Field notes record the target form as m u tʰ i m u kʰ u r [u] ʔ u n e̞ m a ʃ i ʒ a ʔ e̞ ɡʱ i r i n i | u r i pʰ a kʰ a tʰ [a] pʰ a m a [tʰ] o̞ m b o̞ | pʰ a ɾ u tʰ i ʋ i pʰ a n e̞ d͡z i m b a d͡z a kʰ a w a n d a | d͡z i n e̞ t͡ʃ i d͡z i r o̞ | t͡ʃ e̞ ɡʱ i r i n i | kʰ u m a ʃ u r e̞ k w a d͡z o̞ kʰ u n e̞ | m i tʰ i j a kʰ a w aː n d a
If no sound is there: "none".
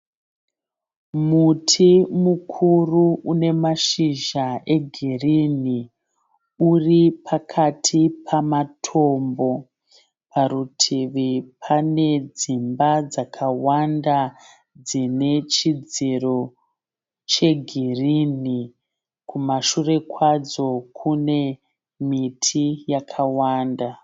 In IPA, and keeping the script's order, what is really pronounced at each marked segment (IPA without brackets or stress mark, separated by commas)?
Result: u, i, tʰ